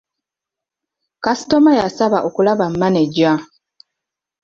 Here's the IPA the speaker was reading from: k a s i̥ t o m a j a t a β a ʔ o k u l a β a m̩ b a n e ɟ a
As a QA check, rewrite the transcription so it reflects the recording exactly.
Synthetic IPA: k a s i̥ t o m a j a s a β a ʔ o k u l a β a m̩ m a n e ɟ a